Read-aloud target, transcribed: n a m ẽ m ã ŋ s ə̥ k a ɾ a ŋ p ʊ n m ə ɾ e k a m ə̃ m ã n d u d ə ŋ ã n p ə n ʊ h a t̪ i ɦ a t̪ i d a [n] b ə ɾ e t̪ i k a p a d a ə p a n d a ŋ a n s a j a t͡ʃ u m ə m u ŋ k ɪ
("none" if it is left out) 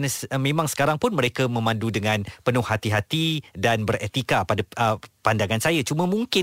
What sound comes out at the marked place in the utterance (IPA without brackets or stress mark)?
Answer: n